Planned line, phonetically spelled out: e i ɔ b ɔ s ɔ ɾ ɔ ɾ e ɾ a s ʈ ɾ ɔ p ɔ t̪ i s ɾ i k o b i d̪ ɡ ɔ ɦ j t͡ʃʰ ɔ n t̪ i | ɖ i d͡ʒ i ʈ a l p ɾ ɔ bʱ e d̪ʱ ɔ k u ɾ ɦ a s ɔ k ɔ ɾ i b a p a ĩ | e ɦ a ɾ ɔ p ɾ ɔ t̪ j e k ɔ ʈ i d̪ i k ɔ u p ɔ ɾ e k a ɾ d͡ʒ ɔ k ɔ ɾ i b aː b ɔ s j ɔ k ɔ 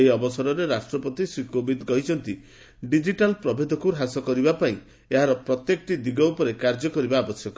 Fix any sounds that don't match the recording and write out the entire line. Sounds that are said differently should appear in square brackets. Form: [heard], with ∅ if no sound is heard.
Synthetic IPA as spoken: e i ɔ b ɔ s ɔ ɾ ɔ ɾ e ɾ a s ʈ ɾ ɔ p ɔ t̪ i s ɾ i k o b i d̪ ɡ ɔ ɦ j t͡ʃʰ ɔ n t̪ i | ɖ i d͡ʒ i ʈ a l p ɾ ɔ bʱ e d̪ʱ ɔ k u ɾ ɦ a s ɔ k ɔ ɾ i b a p a ĩ | e ɦ a ɾ ɔ p ɾ ɔ t̪ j e k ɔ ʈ i d̪ i [ɡ] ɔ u p ɔ ɾ e k a ɾ d͡ʒ ɔ k ɔ ɾ i b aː b ɔ s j ɔ k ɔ